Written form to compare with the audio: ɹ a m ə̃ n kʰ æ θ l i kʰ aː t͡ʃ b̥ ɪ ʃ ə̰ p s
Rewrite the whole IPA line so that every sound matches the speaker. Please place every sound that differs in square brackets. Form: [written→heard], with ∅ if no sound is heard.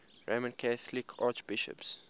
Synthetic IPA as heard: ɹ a m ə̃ n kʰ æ θ l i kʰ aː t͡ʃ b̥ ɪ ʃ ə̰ p s